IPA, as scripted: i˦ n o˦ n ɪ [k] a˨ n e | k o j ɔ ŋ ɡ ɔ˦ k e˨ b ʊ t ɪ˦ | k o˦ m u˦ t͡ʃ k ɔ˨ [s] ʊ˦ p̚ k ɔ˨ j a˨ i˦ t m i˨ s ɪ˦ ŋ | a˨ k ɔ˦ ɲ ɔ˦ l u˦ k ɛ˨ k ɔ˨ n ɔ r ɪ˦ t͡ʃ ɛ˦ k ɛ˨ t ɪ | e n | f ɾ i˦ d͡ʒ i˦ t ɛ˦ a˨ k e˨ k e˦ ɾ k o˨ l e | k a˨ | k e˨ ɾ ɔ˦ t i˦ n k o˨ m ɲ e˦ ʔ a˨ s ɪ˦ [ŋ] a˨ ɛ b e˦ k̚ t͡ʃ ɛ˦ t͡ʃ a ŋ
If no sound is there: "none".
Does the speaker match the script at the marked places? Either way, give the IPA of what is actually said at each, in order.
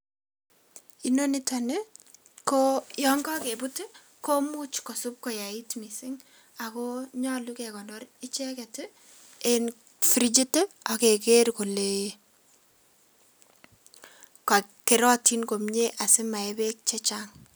t, s, m

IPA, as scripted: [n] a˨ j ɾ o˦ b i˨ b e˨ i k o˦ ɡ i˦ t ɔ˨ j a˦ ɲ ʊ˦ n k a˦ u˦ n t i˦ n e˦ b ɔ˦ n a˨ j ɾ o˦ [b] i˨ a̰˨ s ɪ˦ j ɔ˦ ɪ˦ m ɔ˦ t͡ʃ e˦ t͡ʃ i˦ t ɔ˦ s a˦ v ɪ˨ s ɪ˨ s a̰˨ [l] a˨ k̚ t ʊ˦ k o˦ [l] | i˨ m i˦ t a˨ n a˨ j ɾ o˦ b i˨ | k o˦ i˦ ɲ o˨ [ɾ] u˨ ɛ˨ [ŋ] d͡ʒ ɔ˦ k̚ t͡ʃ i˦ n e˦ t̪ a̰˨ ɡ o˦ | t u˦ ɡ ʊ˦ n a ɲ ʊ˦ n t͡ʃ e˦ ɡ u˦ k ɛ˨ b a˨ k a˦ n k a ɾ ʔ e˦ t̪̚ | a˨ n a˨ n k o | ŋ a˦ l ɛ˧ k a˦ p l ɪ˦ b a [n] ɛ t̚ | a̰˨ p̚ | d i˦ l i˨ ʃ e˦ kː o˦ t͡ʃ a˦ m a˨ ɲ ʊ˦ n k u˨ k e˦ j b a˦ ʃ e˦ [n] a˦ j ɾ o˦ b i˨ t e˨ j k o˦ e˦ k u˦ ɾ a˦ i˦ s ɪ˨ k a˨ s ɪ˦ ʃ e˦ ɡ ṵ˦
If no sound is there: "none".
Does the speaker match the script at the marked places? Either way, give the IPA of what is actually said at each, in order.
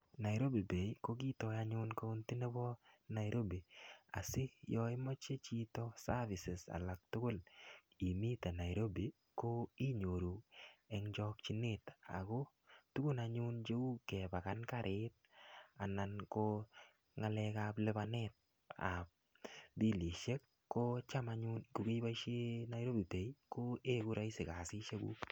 n, b, l, l, ɾ, ŋ, n, n

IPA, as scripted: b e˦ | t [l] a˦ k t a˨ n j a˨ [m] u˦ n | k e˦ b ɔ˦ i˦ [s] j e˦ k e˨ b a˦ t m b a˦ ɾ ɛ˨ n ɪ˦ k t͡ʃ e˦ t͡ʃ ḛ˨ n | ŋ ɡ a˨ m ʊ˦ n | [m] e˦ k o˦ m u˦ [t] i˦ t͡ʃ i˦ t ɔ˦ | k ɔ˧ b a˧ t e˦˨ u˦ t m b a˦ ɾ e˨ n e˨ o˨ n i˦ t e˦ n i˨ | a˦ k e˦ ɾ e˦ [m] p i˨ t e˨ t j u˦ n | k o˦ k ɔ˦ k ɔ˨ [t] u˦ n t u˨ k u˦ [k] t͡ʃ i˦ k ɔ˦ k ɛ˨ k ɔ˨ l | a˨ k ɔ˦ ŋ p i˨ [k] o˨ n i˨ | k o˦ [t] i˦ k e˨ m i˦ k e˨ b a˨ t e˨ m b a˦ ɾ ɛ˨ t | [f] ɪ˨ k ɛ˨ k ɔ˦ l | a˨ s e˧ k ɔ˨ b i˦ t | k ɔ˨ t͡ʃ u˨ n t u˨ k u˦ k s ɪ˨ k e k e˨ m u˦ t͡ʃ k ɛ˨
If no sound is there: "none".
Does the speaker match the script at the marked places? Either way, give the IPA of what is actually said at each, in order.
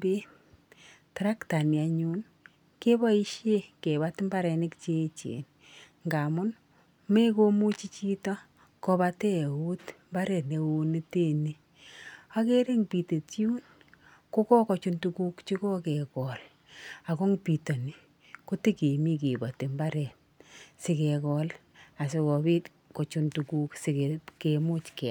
ɾ, ɲ, ʃ, m, t͡ʃ, ŋ, t͡ʃ, k, t, t, s

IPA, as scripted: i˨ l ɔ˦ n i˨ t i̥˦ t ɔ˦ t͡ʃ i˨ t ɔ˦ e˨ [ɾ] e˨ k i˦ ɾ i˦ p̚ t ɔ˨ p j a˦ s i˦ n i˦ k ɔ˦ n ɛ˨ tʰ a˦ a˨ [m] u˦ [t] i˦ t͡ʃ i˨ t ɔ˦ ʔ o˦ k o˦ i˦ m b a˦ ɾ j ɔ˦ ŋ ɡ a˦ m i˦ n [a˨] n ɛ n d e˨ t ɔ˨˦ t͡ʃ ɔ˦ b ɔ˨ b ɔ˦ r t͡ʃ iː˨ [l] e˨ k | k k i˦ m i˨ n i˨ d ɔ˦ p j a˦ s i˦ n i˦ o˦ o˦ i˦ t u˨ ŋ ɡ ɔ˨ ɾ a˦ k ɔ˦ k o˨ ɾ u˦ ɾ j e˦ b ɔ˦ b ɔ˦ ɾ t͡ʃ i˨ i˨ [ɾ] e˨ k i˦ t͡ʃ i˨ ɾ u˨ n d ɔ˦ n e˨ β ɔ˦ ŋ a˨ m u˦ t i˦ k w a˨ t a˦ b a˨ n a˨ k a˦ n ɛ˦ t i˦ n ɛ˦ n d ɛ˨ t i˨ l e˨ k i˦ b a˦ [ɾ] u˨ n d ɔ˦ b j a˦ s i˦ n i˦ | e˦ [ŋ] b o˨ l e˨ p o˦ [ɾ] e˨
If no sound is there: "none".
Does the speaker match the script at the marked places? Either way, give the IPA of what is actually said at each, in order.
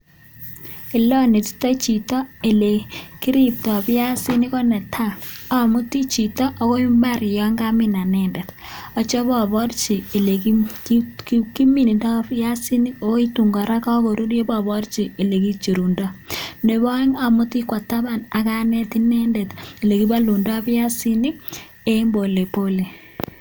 l, m, t, a˨, l, l, l, m, l

